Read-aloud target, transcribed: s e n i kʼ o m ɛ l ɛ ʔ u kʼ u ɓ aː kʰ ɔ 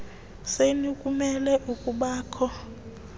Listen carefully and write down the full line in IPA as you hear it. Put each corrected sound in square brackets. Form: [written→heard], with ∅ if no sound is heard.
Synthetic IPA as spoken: s e n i kʼ [o→u] m ɛ l ɛ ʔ u kʼ u ɓ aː kʰ ɔ